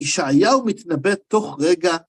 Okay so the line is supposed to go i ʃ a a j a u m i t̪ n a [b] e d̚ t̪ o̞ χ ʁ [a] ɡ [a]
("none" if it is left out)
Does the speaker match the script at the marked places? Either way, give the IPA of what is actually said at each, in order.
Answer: b, e, a

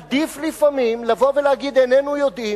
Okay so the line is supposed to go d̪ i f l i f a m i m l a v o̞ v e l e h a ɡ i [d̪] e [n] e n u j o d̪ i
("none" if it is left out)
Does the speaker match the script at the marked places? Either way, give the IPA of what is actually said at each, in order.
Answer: d̪, n

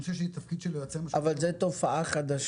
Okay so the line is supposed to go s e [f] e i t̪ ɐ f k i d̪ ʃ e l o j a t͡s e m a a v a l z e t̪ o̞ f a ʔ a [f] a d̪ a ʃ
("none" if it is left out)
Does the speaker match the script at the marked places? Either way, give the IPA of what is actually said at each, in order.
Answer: ʃ, χ

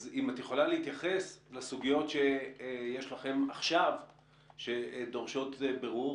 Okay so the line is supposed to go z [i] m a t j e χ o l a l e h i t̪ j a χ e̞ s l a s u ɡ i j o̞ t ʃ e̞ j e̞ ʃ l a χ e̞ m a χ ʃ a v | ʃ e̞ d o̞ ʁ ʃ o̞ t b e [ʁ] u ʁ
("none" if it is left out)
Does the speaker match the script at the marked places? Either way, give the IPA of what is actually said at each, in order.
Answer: i, ʁ

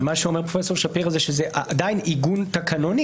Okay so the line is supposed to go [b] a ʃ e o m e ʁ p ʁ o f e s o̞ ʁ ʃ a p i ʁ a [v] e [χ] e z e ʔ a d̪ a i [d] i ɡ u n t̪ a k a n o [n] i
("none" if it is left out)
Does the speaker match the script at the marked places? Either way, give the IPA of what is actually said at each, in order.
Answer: m, z, ʃ, n, n

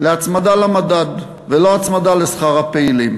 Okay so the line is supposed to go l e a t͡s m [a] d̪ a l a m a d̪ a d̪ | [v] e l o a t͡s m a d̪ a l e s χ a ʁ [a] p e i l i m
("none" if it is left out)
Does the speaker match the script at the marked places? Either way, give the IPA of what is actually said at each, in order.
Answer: a, v, a

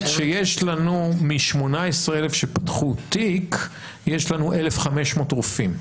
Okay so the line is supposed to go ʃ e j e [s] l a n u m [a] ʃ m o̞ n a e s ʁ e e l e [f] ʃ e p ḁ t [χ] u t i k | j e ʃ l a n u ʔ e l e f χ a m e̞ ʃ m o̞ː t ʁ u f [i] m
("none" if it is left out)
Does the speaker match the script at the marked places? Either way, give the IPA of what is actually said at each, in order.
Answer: ʃ, i, f, χ, i

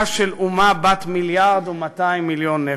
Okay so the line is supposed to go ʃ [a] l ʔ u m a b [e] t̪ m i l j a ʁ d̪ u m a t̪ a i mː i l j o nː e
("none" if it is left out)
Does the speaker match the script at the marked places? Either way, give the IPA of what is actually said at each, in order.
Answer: e, a

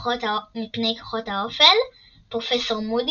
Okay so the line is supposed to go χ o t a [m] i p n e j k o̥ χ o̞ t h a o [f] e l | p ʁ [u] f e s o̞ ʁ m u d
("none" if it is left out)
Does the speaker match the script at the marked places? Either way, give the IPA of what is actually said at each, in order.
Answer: m, f, o

